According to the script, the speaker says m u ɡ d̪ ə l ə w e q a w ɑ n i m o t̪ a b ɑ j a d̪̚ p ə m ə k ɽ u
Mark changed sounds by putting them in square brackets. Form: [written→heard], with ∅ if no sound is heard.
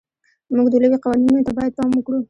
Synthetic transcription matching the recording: m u ɡ d̪ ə l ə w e q a w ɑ n i [m→n] o t̪ a b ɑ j a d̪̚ p [ə→ɑ] m ə k ɽ u